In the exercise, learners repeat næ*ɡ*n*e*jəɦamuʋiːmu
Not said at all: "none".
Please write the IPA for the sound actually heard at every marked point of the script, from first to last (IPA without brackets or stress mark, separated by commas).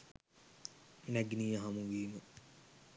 ɡ, i